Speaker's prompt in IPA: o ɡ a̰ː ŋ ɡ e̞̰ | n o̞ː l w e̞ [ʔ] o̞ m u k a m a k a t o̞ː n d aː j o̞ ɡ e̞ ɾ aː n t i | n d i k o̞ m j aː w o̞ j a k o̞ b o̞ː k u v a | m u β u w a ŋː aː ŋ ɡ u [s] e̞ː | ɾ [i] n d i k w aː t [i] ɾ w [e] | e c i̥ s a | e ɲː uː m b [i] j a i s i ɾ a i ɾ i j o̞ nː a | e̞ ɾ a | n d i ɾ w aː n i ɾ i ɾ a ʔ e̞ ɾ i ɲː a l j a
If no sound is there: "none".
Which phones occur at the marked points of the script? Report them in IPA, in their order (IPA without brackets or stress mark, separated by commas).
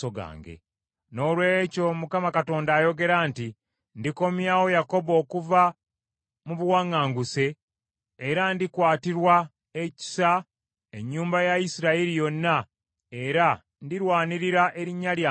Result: c, s, a, i, a, a